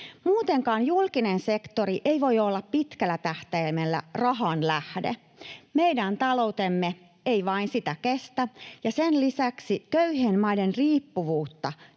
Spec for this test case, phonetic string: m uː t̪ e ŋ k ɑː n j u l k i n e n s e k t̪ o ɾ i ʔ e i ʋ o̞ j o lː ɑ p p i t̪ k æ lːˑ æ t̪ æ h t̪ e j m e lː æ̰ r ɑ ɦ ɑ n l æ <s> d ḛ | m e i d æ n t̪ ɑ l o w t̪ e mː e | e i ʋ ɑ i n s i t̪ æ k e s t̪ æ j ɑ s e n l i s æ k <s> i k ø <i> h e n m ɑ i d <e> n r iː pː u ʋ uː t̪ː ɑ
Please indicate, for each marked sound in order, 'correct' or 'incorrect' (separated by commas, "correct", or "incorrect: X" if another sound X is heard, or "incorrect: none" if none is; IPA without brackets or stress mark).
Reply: incorrect: h, correct, incorrect: y, correct